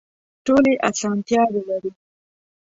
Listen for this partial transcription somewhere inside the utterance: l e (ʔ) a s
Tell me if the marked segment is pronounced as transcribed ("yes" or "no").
yes